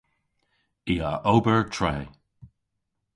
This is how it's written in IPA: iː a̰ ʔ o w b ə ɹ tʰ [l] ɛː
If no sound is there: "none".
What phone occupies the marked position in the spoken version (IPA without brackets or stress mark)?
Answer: ɹ